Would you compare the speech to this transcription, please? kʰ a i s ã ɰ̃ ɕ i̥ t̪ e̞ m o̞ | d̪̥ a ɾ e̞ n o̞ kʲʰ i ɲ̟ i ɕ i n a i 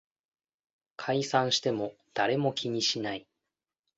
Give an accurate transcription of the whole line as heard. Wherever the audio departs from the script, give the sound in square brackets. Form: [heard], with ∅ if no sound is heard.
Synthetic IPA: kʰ a i s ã ɰ̃ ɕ i̥ t̪ e̞ m o̞ | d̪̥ a ɾ e̞ [m] o̞ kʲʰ i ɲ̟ i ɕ i n a i